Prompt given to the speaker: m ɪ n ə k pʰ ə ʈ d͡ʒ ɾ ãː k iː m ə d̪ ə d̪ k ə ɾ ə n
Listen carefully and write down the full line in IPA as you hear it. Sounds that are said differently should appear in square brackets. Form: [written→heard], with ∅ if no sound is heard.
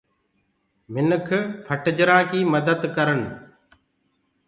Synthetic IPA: m ɪ n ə [k→kʰ] pʰ ə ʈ d͡ʒ ɾ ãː k iː m ə d̪ ə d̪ k ə ɾ ə n